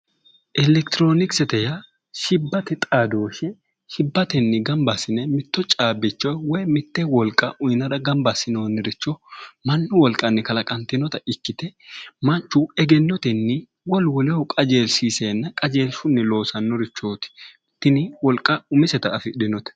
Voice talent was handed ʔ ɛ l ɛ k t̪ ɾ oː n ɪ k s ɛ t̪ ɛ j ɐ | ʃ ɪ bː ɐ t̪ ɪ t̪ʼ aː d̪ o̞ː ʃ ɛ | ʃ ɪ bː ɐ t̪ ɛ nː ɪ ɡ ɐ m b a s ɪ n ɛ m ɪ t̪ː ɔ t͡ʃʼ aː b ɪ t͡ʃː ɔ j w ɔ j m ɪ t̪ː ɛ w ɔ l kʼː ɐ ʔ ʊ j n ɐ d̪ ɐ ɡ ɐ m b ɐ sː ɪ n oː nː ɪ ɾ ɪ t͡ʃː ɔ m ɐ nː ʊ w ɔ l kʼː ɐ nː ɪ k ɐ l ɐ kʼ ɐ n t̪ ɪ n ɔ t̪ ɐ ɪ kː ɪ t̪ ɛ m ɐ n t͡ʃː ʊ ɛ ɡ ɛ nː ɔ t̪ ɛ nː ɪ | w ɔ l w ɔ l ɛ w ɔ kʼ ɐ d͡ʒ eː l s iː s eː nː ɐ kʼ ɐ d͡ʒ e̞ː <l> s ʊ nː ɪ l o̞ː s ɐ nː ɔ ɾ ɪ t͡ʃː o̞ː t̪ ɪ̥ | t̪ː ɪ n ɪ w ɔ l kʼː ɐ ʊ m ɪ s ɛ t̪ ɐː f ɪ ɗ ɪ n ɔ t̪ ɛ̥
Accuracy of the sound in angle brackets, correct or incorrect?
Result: correct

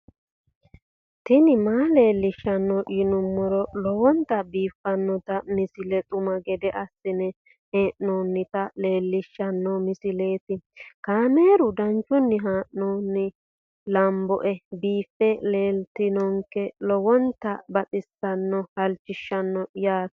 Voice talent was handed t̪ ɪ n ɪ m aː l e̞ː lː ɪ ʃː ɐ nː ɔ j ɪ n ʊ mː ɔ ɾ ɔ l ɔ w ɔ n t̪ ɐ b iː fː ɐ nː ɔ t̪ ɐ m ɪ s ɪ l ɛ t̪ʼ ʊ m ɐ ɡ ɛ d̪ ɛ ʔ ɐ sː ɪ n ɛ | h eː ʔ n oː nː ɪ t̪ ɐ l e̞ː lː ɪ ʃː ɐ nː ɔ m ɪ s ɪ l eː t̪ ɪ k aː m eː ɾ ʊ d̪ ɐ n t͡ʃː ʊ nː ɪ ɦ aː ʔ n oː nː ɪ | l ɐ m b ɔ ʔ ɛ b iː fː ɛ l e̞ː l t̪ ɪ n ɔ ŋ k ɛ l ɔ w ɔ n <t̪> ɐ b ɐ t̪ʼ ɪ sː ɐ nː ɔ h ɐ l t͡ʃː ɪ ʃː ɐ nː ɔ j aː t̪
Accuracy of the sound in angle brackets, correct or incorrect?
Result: correct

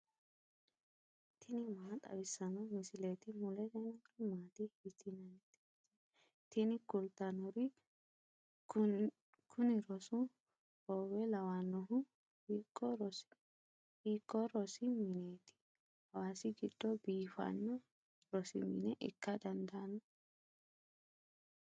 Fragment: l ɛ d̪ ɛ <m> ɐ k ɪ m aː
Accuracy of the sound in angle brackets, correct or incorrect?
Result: incorrect: n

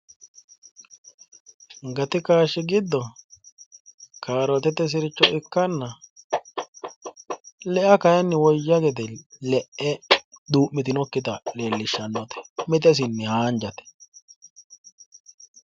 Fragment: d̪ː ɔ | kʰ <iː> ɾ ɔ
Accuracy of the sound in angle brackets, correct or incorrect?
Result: incorrect: aː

